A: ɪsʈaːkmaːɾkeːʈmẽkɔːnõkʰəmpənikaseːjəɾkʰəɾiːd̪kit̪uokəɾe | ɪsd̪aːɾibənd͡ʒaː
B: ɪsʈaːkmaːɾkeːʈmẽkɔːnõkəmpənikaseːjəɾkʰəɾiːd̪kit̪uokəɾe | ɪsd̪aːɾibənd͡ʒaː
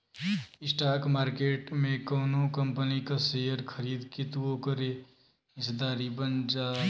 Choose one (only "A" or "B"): B